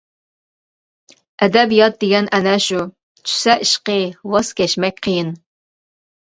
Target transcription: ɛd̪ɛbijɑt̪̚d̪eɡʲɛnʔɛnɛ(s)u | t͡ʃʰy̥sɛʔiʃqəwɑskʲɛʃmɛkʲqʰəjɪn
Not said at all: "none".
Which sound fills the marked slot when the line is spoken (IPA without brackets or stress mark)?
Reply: ʃ